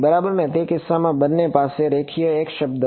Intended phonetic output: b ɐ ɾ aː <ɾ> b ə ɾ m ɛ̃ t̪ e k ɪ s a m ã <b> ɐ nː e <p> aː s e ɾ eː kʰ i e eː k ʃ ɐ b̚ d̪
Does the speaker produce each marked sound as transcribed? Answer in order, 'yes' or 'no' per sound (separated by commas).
no, yes, yes